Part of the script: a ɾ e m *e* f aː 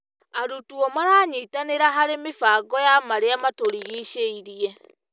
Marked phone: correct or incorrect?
correct